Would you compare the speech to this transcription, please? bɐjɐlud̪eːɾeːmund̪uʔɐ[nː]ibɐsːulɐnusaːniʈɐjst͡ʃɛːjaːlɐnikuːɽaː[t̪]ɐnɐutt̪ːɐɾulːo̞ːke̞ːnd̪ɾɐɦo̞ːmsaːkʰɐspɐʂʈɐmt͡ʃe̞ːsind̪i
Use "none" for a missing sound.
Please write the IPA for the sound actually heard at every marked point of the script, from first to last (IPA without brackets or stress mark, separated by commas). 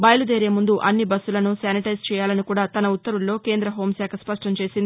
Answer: nː, t̪